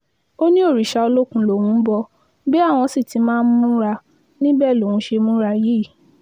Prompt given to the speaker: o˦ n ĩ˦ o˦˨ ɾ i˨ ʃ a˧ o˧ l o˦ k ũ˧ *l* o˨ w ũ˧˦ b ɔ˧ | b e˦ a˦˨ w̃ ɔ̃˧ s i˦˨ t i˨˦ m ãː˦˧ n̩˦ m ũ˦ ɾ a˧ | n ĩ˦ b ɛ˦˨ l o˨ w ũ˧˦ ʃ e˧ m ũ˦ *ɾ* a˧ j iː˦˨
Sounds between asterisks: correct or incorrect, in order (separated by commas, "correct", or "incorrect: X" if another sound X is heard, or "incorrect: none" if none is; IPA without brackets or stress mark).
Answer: correct, correct